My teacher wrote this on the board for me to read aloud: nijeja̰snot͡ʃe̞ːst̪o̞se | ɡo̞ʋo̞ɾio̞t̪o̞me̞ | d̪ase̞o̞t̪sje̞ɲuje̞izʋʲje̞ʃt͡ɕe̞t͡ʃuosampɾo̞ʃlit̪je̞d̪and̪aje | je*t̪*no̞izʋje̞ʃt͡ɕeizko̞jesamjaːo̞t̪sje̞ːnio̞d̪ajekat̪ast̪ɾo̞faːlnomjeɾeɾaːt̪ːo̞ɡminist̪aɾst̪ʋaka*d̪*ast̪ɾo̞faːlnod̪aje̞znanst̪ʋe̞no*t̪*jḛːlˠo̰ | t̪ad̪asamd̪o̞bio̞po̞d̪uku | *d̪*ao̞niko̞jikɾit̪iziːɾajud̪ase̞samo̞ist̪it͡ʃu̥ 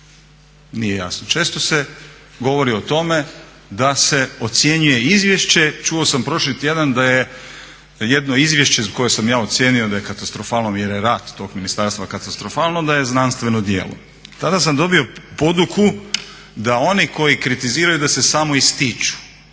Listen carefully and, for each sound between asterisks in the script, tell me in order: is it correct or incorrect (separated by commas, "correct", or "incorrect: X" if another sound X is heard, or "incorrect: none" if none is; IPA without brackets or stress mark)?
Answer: incorrect: d̪, incorrect: t̪, incorrect: d̪, correct